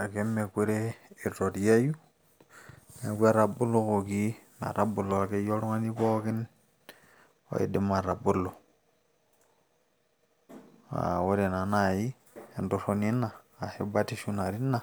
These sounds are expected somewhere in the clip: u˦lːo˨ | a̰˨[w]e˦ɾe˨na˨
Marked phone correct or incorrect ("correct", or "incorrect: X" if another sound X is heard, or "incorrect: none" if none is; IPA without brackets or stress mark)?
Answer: correct